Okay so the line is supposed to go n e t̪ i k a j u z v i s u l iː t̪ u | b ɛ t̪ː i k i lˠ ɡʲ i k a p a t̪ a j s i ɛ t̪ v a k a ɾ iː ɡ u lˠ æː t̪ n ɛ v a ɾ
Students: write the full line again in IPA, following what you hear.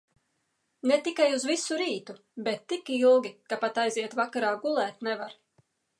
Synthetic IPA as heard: n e t̪ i k a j u z v i s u ɾ iː t̪ u | b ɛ t̪ː i k i lˠ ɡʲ i k a p a t̪ a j z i ɛ t̪ v a k a ɾ aː ɡ u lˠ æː t̪ n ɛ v a ɾ